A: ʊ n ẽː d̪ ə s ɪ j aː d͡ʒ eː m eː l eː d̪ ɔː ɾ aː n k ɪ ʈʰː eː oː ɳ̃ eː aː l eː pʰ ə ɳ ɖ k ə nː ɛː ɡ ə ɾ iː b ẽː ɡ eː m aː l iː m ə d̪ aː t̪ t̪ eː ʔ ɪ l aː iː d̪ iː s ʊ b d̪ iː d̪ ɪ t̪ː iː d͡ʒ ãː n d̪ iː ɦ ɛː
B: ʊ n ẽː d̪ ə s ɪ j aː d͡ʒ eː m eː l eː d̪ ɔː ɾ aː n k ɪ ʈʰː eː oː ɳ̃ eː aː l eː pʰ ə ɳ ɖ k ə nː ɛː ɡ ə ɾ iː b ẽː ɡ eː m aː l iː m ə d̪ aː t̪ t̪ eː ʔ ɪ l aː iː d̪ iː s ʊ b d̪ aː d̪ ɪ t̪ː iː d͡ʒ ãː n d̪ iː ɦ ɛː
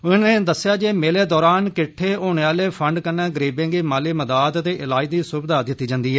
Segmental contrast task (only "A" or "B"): B